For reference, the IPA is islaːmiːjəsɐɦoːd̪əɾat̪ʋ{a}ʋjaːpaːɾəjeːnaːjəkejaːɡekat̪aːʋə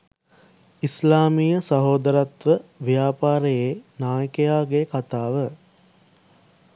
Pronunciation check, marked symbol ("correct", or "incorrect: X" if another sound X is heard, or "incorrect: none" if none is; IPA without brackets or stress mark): incorrect: ə